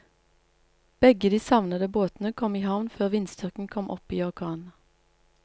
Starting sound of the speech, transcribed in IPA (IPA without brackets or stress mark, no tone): b̥